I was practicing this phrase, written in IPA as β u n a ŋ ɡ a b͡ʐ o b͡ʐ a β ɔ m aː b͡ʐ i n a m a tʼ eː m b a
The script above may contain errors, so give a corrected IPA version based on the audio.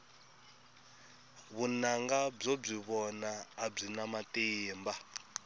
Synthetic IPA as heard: β u n a ŋ ɡ a b͡ʐ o b͡ʐ i β ɔ n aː b͡ʐ i n a m a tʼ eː m b a